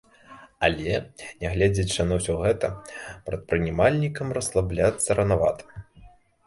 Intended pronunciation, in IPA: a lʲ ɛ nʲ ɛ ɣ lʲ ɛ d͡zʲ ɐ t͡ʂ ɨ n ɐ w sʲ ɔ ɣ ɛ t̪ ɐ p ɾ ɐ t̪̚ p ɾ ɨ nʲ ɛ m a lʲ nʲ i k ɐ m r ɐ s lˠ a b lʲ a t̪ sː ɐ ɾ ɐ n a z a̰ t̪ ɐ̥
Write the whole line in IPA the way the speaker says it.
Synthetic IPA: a lʲ ɛ nʲ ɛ ɣ lʲ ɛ d͡zʲ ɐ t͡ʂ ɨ n ɐ w sʲ ɔ ɣ ɛ t̪ ɐ p ɾ ɐ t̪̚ p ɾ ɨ nʲ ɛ m a lʲ nʲ i k ɐ m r ɐ s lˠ a b lʲ a t̪ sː ɐ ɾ ɐ n a v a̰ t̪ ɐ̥